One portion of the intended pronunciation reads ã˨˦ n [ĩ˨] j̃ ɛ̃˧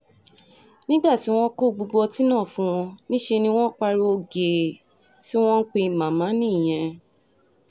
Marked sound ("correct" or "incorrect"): incorrect